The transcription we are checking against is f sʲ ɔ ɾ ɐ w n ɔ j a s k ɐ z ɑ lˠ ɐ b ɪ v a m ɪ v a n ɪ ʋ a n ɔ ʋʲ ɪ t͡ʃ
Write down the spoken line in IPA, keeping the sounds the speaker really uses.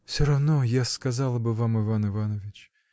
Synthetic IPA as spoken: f sʲ ɔ ɾ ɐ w n ɔ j a s k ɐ z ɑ lˠ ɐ b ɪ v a m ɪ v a n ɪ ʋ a n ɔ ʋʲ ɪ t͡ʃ